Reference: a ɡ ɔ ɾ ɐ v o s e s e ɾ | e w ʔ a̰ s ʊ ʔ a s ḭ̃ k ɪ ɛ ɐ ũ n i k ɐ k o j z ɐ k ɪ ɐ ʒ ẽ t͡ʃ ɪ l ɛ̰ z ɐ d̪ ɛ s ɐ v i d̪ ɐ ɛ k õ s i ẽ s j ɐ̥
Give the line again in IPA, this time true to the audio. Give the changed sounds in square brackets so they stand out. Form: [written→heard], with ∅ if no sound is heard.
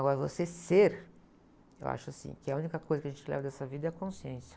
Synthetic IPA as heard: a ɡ ɔ ɾ ɐ v o s e s e ɾ | e w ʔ a̰ [s→ʃ] ʊ [ʔ→∅] a s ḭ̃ k ɪ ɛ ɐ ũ n i k ɐ k o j z ɐ k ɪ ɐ ʒ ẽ t͡ʃ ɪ l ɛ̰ [z→v] ɐ d̪ ɛ s ɐ v i d̪ ɐ ɛ k õ s i ẽ s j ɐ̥